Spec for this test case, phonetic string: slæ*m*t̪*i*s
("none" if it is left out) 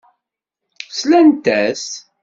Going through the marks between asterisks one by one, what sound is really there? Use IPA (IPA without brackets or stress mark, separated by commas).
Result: n, æ